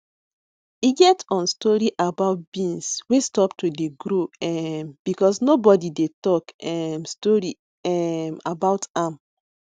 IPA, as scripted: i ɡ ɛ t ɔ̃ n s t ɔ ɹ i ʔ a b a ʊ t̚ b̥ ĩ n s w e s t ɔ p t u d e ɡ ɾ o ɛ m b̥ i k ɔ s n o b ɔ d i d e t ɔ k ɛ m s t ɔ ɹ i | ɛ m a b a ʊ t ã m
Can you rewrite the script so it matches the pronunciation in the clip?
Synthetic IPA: i ɡ ɛ t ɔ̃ n s t ɔ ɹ i ʔ a b a ʊ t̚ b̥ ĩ n s w e s t ɔ p t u d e ɡ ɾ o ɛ m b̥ i k ɔ s n o b ɔ d i d e t ɔ k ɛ m s t ɔ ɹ i | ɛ m a b a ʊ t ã m